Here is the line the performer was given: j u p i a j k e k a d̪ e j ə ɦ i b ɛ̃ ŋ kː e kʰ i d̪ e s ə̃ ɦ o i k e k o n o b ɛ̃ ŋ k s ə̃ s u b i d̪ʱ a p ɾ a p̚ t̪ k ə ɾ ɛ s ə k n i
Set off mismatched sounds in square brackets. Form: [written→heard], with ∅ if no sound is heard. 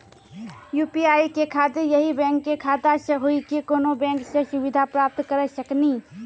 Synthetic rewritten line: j u p i a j k e [k→kʰ] a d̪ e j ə ɦ i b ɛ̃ ŋ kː e kʰ [i→a] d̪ [e→a] s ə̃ ɦ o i k e k o n o b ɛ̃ ŋ k s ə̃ s u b i d̪ʱ a p ɾ a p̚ t̪ k ə ɾ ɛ s ə k n i